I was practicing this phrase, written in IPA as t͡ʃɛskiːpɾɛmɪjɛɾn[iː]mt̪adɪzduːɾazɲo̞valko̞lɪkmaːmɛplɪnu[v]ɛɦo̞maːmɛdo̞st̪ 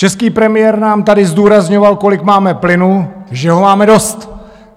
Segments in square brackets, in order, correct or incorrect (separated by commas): incorrect, incorrect